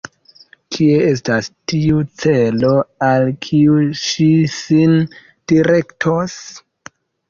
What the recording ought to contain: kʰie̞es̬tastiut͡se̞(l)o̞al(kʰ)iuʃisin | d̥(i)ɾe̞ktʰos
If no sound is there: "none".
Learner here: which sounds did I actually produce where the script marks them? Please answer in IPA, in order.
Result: l, kʰ, i

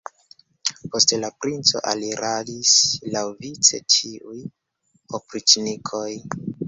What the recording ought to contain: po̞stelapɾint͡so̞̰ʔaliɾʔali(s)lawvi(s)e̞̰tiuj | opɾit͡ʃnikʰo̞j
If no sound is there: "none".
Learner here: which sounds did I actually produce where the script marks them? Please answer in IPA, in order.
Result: s, t͡s

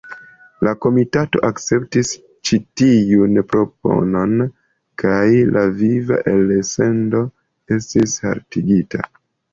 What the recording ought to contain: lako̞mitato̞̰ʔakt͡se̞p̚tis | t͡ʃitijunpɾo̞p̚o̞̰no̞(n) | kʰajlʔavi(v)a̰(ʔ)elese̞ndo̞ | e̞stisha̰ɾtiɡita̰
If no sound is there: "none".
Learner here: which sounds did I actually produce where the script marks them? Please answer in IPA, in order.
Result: n, v, ʔ

